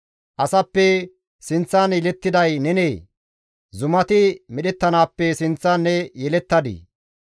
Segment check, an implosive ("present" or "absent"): present